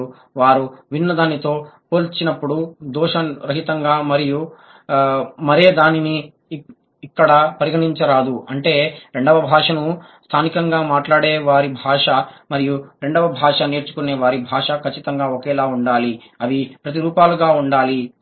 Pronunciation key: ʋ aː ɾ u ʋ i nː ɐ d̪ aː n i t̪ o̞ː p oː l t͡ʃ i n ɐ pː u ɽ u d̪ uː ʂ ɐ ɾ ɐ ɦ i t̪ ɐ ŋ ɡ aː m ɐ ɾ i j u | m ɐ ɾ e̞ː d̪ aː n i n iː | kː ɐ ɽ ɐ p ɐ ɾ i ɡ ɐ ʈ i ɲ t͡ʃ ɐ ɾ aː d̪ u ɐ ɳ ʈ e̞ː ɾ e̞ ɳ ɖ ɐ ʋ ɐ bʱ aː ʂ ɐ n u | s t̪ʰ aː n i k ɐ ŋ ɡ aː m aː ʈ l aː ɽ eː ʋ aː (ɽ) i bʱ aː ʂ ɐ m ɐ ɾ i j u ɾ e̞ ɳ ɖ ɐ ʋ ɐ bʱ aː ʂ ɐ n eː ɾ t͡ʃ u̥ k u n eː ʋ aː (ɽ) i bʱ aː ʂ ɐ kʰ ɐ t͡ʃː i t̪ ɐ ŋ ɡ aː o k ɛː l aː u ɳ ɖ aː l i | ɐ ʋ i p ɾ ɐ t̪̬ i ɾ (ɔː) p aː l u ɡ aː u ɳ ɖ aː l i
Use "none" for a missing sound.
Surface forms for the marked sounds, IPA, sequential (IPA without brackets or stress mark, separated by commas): ɾ, ɾ, uː